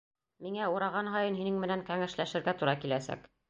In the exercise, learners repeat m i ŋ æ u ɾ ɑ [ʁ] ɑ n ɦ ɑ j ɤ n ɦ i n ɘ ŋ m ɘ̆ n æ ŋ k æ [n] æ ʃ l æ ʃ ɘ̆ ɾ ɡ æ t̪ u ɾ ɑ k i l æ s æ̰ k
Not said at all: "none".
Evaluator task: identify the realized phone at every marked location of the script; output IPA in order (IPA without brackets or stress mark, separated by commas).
ʁ, ŋ